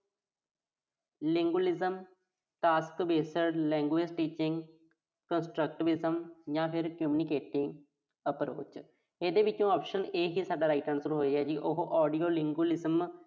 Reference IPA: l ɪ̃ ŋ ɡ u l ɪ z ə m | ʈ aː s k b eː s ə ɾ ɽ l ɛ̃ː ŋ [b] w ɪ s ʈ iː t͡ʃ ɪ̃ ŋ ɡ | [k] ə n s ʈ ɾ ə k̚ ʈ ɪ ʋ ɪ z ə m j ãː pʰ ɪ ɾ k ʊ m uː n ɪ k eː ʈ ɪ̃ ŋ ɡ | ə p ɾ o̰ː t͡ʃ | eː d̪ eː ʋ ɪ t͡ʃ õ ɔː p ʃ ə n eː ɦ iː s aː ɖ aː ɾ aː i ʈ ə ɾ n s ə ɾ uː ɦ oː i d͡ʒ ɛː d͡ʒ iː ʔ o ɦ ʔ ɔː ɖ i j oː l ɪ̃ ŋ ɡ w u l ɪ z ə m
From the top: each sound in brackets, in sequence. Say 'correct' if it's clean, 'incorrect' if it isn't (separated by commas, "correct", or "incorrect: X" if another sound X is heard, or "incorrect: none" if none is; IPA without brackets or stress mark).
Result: incorrect: ɡ, correct